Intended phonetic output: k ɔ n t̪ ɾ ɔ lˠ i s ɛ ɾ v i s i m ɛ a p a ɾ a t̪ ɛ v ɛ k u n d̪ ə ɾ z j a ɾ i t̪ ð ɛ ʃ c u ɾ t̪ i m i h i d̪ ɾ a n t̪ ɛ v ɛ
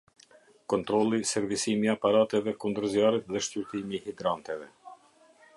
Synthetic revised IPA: k ɔ n t̪ ɾ ɔ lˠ i s ɛ ɾ v i s i m i a p a ɾ a t̪ ɛ v ɛ k u n d̪ ə ɾ z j a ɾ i t̪ ð ɛ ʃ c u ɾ t̪ i m i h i d̪ ɾ a n t̪ ɛ v ɛ